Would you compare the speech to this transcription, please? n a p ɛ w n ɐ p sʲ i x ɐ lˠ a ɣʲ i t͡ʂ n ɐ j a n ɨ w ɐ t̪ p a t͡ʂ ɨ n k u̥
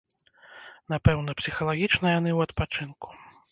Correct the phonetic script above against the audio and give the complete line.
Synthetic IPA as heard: n a p ɛ w n ɐ p sʲ i x ɐ lˠ a ɣʲ i t͡ʂ n ɐ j a n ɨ w ɐ t̪ p a t͡ʂ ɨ n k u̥